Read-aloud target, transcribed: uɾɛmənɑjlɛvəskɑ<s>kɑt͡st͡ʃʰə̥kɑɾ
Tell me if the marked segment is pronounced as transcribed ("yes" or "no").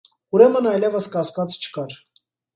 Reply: yes